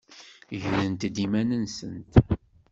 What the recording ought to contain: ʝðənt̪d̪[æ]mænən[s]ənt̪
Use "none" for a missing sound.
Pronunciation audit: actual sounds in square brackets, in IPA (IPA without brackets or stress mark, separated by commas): i, s